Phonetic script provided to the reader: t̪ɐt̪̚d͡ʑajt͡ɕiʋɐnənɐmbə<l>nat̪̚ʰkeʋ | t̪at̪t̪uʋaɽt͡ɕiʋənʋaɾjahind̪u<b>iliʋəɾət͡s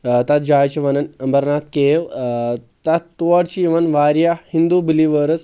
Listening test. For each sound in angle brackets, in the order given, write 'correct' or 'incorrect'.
incorrect, correct

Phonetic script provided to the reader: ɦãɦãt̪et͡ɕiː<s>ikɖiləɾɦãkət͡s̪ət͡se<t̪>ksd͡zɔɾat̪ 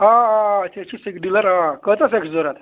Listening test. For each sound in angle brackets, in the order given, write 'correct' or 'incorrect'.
correct, incorrect

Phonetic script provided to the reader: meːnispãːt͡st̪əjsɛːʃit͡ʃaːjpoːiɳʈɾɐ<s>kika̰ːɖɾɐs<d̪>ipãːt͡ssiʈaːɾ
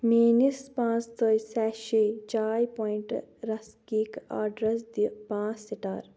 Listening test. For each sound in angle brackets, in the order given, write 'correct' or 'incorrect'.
correct, correct

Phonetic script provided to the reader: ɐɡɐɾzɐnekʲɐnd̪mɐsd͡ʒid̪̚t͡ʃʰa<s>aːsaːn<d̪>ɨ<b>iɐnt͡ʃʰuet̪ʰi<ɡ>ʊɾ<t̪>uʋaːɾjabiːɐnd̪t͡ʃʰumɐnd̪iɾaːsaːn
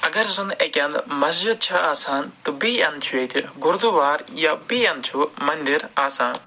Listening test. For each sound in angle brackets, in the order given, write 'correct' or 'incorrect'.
incorrect, incorrect, correct, correct, incorrect

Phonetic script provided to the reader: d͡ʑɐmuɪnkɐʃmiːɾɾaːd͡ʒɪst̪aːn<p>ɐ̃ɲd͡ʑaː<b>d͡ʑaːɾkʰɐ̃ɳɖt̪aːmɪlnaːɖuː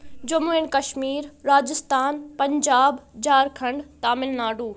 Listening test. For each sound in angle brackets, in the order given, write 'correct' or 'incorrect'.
correct, correct

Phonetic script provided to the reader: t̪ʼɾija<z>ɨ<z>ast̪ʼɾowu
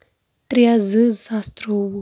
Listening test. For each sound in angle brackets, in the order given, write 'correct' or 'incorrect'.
correct, correct

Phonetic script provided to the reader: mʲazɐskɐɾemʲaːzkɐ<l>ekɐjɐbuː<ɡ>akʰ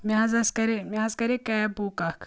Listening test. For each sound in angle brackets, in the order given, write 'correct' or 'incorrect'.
incorrect, incorrect

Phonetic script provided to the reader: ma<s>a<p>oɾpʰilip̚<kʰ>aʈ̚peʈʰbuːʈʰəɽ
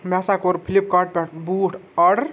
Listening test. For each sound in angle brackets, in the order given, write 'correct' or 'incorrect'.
correct, incorrect, incorrect

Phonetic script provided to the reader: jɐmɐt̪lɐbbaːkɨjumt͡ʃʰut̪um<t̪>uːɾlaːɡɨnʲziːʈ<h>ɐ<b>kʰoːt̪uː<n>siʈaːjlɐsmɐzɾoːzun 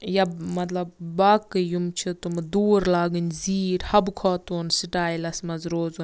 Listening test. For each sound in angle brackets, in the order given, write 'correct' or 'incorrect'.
incorrect, correct, correct, correct

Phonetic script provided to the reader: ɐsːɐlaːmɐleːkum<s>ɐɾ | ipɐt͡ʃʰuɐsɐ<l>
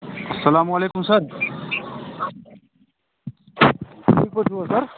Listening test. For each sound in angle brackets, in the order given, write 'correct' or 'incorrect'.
correct, incorrect

